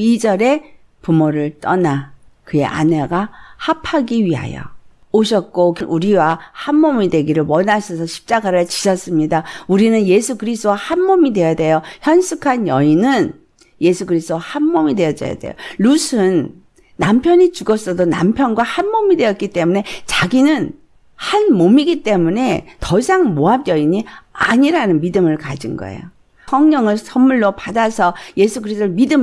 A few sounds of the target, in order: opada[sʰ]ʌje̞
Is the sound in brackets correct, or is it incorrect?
correct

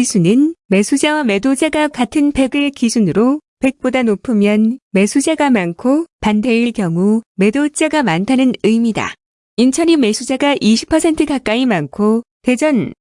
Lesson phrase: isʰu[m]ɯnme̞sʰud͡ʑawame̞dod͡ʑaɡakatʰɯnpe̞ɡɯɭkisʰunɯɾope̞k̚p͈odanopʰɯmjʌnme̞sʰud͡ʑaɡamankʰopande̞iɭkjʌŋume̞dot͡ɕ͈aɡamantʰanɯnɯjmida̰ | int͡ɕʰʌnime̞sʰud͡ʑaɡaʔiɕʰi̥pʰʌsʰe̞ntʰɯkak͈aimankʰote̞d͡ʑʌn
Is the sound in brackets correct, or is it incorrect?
incorrect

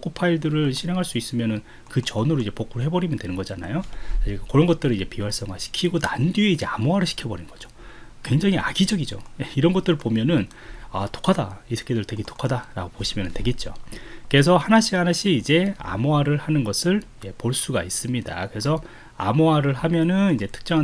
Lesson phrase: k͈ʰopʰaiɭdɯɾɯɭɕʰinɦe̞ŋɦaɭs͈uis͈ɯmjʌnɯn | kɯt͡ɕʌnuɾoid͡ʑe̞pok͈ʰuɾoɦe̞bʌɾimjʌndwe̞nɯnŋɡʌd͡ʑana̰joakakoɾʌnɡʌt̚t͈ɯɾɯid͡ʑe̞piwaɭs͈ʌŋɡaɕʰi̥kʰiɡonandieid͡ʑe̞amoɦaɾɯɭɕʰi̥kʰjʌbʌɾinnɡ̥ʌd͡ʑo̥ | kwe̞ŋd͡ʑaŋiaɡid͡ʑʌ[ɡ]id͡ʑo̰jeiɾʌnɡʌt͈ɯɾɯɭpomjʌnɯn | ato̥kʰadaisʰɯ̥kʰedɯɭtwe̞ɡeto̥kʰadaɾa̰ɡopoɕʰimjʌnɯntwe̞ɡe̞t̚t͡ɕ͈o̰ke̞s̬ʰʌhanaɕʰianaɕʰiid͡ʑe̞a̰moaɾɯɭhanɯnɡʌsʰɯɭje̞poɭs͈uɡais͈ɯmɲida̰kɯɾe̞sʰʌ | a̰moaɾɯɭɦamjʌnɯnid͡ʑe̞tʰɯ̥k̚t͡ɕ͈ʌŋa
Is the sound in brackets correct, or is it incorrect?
correct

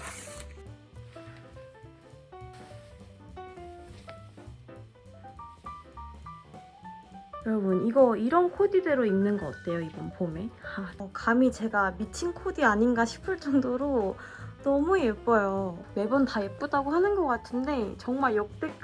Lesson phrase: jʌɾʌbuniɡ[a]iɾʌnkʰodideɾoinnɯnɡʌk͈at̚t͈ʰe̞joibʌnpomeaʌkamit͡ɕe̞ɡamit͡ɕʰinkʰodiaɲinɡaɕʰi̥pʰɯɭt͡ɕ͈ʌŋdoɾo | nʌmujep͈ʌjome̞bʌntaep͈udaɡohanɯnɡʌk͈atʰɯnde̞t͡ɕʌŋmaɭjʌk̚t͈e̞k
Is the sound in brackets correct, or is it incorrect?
incorrect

